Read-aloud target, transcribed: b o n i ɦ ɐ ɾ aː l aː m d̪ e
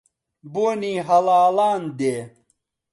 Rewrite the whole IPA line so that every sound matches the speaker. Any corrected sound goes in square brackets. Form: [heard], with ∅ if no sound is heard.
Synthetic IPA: b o n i ɦ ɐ [l] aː l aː [n] d̪ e